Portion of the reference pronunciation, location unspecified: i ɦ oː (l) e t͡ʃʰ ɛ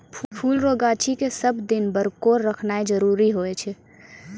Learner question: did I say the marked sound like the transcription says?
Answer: no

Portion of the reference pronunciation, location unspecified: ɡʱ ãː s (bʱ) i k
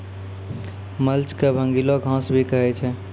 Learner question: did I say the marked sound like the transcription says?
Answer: yes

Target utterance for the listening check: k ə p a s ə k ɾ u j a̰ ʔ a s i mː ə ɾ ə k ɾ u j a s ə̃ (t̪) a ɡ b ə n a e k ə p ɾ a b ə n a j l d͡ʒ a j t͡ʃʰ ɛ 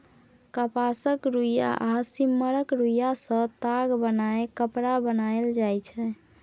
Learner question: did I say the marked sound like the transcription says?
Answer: yes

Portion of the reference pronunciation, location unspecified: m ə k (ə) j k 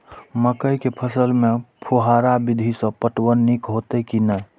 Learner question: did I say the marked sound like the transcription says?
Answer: yes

